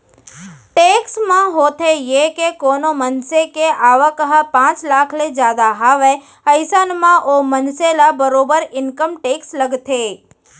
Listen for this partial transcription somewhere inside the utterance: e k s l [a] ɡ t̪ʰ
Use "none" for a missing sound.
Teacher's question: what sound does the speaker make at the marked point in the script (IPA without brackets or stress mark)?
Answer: ə